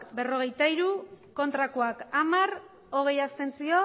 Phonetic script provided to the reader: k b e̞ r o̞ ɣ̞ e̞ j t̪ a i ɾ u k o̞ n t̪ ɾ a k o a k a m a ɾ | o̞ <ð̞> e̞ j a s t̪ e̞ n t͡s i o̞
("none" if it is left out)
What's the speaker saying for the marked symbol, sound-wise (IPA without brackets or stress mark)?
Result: ɣ̞